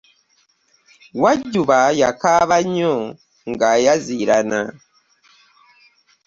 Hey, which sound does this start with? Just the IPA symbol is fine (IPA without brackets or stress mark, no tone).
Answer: w